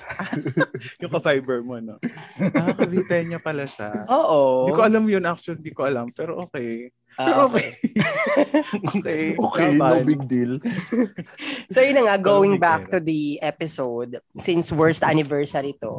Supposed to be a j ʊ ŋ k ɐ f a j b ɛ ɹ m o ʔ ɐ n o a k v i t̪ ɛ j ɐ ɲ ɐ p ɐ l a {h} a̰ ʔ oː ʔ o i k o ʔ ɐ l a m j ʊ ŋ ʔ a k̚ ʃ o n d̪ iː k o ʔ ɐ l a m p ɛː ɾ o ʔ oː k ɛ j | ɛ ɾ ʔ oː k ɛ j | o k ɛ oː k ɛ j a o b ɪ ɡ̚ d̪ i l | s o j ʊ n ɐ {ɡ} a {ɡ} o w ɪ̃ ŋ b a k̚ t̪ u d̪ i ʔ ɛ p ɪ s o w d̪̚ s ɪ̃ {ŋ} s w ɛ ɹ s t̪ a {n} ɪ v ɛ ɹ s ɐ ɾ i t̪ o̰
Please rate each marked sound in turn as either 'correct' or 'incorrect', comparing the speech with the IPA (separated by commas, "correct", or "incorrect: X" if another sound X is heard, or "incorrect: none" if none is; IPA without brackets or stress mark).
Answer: incorrect: ʃ, incorrect: ŋ, correct, incorrect: n, correct